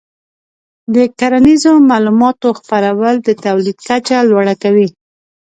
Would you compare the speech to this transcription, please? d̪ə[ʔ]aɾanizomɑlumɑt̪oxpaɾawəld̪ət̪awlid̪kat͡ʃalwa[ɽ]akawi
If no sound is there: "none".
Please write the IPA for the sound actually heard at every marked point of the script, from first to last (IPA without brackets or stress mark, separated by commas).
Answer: k, ɽ